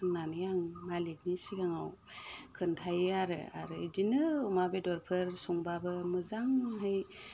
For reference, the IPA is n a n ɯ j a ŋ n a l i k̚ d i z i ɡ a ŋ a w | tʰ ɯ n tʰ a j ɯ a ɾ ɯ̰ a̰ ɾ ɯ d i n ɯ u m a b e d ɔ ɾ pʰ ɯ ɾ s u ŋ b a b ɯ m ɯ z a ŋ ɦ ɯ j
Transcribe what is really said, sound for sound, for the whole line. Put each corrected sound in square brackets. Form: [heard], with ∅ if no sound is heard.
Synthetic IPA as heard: n a n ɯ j a ŋ [m] a l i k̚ [n] i [s] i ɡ a ŋ a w | [kʰ] ɯ n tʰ a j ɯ a ɾ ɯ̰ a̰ ɾ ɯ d i n ɯ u m a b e d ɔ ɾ pʰ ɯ ɾ s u ŋ b a b ɯ m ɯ z a ŋ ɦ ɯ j

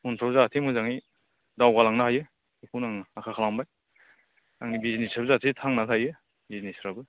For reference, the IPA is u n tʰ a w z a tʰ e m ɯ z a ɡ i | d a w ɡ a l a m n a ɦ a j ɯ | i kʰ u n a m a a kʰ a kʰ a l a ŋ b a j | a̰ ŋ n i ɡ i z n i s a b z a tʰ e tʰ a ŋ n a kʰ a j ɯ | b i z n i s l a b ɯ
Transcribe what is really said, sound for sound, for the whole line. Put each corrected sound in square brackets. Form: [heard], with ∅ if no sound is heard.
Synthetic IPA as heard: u n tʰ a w z a tʰ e m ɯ z a [ŋ] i | d a w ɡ a l a [ŋ] n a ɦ a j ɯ | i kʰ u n a [ŋ] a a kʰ a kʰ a l a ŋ b a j | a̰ ŋ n i [b] i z n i s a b z a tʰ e tʰ a ŋ n a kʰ a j ɯ | b i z n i s [ɾ] a b ɯ

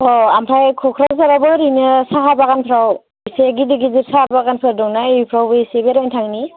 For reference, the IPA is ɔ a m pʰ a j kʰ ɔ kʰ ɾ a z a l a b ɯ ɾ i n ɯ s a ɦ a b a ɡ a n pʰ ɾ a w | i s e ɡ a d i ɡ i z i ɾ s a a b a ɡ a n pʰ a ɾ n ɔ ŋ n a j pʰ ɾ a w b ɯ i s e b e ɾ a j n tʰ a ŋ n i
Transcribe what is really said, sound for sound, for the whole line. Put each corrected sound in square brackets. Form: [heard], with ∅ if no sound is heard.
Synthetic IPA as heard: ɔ a m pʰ a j kʰ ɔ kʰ ɾ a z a [ɾ] a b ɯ ɾ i n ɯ s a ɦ a b a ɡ a n pʰ ɾ a w | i s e ɡ [i] d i ɡ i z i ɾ s a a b a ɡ a n pʰ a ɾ [d] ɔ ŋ n a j pʰ ɾ a w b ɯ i s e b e ɾ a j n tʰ a ŋ n i

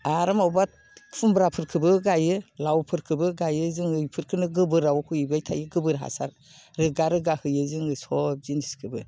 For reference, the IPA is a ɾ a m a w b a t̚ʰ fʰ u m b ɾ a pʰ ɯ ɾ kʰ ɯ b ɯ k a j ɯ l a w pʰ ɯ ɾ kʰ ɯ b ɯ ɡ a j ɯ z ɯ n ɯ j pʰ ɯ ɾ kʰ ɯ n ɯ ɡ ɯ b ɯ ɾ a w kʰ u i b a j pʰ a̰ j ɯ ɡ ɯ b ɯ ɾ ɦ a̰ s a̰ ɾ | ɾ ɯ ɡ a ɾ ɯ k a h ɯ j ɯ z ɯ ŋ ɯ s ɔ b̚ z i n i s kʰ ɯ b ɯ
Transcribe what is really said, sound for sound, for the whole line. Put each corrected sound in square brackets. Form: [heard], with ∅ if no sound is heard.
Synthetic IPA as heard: a ɾ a m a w b a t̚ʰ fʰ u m b ɾ a pʰ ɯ ɾ kʰ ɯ b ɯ [ɡ] a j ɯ l a w pʰ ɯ ɾ kʰ ɯ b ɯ ɡ a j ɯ z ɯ [ŋ] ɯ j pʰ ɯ ɾ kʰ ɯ n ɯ ɡ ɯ b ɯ ɾ a w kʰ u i b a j [tʰ] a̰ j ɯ ɡ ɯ b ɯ ɾ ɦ a̰ s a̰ ɾ | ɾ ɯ ɡ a ɾ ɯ [ɡ] a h ɯ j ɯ z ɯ ŋ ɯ s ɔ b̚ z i n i s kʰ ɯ b ɯ

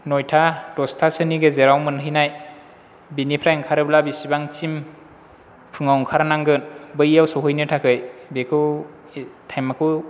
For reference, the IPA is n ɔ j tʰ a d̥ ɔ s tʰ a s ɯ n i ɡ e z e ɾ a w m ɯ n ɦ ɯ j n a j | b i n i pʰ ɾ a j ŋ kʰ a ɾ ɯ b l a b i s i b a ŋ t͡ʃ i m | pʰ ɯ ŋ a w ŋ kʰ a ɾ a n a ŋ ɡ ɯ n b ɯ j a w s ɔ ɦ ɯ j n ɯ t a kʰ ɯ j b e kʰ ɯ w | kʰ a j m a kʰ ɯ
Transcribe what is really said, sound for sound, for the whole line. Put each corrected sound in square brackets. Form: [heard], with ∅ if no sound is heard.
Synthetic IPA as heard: n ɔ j tʰ a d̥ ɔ s tʰ a s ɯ n i ɡ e z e ɾ a w m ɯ n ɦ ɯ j n a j | b i n i pʰ ɾ a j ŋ kʰ a ɾ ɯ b l a b i s i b a ŋ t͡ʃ i m | pʰ ɯ ŋ a w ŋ kʰ a ɾ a n a ŋ ɡ ɯ n b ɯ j a w s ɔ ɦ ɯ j n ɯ [tʰ] a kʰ ɯ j b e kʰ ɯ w | [tʰ] a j m a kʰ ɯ

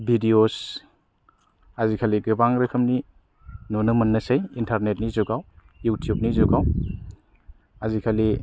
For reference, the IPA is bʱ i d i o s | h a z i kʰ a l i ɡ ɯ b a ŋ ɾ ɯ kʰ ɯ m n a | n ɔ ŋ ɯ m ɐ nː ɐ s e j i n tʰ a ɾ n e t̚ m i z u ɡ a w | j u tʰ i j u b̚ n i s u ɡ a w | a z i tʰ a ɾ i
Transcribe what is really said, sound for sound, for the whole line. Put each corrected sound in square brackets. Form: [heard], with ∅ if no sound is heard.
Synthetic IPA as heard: bʱ i d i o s | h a z i kʰ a l i ɡ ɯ b a ŋ ɾ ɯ kʰ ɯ m n [i] | n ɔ [n] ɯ m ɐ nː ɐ s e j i n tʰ a ɾ n e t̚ [n] i z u ɡ a w | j u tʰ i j u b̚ n i [z] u ɡ a w | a z i [kʰ] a [l] i

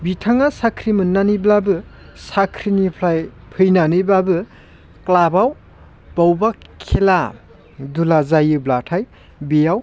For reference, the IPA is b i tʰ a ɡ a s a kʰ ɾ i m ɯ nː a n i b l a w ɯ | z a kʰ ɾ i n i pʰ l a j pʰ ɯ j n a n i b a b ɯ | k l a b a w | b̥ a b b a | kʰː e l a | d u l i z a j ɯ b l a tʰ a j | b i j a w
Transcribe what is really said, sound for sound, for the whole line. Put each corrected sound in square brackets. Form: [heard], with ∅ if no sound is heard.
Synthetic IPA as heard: b i tʰ a [ŋ] a s a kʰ ɾ i m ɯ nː a n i b l a [b] ɯ | [s] a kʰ ɾ i n i pʰ l a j pʰ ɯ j n a n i b a b ɯ | k l a b a w | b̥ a [w] b a | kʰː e l a | d u l [a] z a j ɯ b l a tʰ a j | b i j a w

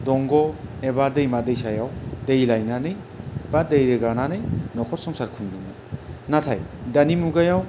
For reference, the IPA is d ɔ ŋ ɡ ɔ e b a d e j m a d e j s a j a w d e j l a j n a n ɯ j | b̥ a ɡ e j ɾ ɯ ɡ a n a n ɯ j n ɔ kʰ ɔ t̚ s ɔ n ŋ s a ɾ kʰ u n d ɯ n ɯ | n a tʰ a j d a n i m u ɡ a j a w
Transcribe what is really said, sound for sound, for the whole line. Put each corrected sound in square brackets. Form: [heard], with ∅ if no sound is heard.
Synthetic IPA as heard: d ɔ ŋ ɡ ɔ e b a d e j m a d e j s a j a w d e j l a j n a n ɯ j | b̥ a [d] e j ɾ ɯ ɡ a n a n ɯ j n ɔ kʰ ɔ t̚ s ɔ [∅] ŋ s a ɾ kʰ u n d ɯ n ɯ | n a tʰ a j d a n i m u ɡ a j a w

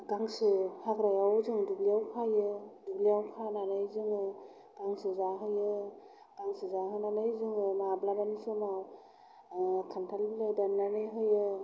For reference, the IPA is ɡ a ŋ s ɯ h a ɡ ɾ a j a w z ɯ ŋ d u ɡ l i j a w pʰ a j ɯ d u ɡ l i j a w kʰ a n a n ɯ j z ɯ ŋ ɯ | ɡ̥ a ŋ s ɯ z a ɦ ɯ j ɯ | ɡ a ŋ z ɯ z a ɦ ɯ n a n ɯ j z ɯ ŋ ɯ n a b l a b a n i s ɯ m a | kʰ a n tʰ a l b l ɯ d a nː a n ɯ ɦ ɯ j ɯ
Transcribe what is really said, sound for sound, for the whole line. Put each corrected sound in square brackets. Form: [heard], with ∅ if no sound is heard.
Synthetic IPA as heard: ɡ a ŋ s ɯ h a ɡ ɾ a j a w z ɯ ŋ d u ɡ l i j a w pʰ a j ɯ d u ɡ l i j a w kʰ a n a n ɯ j z ɯ ŋ ɯ | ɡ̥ a ŋ s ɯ z a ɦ ɯ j ɯ | ɡ a ŋ [s] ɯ z a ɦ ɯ n a n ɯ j z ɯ ŋ ɯ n a b l a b a n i s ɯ m a | kʰ a n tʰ a l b l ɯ d a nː a n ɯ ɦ ɯ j ɯ

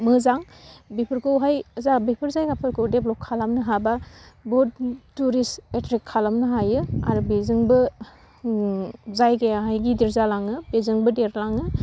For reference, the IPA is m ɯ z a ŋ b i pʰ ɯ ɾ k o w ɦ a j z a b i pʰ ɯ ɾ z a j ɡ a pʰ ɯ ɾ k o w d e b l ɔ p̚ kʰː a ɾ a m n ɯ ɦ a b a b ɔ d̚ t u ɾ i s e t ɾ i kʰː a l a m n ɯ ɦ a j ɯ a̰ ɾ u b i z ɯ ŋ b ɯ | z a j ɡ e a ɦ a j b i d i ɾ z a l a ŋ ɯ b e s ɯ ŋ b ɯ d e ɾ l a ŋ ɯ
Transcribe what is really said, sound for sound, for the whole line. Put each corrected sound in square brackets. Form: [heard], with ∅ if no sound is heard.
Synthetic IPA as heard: m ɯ z a ŋ b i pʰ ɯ ɾ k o w ɦ a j z a b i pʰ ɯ ɾ z a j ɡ a pʰ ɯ ɾ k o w d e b l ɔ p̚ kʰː a [l] a m n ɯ ɦ a b a b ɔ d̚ t u ɾ i s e t ɾ i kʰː a l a m n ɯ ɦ a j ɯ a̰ ɾ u b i z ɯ ŋ b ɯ | z a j ɡ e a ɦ a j [ɡ] i d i ɾ z a l a ŋ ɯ b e [z] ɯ ŋ b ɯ d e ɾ l a ŋ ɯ

